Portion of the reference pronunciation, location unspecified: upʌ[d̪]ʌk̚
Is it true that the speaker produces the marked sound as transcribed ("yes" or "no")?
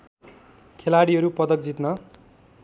yes